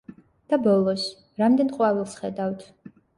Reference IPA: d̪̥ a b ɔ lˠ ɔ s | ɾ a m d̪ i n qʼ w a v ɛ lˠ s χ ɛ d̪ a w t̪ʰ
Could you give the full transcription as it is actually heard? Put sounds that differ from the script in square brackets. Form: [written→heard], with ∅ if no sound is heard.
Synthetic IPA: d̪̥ a b ɔ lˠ ɔ s | ɾ a m d̪ [i→ɛ] n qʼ w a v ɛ lˠ s χ ɛ d̪ a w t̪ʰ